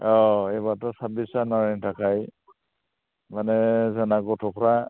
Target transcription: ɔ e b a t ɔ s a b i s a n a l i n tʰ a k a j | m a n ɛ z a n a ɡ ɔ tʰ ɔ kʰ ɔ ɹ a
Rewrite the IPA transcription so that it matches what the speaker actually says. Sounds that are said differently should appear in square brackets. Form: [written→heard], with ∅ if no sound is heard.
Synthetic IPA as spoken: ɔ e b a t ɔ s a b i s a n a [l→ɹ] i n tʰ a k a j | m a n ɛ z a n a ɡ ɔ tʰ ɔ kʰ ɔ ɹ a